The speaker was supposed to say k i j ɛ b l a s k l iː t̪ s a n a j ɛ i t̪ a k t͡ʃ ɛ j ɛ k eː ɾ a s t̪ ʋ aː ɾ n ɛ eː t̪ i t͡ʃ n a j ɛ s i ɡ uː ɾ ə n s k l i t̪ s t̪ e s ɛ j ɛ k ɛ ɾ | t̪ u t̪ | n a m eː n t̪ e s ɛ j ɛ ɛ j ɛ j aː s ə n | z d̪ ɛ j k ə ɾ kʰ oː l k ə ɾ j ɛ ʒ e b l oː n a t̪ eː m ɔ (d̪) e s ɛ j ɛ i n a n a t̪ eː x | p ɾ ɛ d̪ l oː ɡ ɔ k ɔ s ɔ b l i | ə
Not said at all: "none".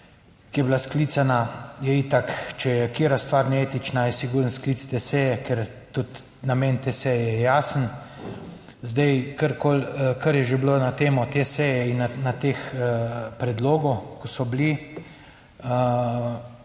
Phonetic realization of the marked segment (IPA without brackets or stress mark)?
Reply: t̪